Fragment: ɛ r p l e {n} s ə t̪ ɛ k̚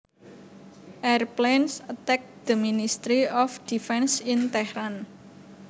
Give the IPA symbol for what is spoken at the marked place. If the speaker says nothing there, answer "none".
n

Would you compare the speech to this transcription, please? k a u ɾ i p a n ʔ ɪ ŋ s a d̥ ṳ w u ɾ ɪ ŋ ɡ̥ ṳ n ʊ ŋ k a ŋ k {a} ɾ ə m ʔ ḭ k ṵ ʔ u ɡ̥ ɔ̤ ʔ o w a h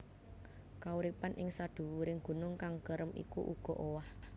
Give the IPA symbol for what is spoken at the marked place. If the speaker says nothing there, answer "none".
ə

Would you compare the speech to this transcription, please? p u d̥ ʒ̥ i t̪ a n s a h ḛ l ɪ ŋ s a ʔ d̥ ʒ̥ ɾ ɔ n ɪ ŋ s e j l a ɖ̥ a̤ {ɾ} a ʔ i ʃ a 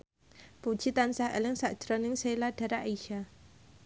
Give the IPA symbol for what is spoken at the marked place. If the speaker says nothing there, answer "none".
ɾ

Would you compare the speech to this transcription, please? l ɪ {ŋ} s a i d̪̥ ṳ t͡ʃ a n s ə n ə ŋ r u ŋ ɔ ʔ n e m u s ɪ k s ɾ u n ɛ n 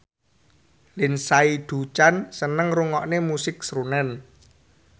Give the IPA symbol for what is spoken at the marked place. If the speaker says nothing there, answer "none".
n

